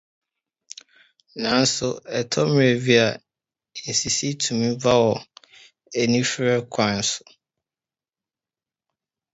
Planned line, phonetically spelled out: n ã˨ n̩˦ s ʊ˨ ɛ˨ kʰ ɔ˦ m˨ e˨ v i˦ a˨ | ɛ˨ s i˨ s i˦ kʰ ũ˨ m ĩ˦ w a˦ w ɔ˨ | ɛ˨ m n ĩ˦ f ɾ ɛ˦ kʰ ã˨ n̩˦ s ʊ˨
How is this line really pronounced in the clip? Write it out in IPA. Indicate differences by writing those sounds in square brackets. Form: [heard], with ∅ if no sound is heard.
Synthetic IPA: n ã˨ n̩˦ s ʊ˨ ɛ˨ [tʰ] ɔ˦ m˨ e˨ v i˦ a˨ | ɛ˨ s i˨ s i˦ [tʰ] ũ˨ m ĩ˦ [v] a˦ w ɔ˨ | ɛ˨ [∅] n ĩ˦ f ɾ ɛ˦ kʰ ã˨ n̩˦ s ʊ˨